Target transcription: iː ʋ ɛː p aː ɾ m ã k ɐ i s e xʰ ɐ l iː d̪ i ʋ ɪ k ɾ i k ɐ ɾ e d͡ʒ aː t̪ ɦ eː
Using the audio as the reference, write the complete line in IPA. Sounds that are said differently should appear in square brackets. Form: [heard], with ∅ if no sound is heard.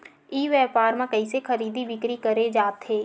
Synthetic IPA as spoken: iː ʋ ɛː p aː ɾ m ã k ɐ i s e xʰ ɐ [ɾ] iː d̪ i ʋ ɪ k ɾ i k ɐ ɾ e d͡ʒ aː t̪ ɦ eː